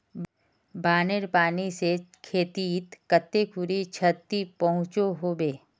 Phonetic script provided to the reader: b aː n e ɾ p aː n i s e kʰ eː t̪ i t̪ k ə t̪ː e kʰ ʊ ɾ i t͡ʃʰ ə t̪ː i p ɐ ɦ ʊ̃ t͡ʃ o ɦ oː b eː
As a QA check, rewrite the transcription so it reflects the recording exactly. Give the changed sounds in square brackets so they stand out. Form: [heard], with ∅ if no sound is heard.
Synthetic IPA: b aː n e ɾ p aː n i s e kʰ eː t̪ i t̪ k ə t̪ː e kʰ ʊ ɾ i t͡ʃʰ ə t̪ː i p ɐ ɦ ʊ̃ t͡ʃ o ɦ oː b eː